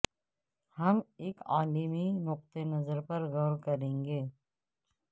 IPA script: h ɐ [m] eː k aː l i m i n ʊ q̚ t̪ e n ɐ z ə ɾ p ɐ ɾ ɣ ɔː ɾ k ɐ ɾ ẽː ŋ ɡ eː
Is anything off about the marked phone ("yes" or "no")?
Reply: no